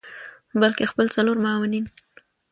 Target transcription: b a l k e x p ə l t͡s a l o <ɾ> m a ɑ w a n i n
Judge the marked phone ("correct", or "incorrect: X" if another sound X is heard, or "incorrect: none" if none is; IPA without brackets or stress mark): correct